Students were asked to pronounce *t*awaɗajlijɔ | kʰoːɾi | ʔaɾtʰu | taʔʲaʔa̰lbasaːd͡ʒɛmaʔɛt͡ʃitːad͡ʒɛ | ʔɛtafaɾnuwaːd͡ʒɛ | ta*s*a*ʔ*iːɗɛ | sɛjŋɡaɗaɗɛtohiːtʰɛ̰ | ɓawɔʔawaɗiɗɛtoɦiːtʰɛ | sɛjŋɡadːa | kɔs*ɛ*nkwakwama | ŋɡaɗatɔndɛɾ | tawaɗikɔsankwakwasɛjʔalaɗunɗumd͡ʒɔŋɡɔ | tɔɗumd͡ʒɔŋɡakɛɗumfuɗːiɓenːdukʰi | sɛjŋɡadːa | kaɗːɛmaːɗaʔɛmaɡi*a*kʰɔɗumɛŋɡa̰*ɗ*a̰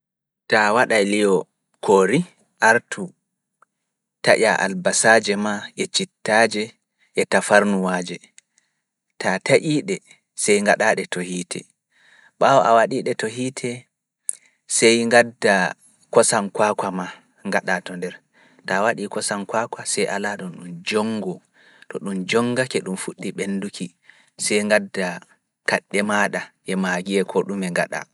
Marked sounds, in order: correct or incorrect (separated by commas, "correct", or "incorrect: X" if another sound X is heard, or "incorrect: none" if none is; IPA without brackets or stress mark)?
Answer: correct, incorrect: t, correct, incorrect: a, incorrect: ɛ, correct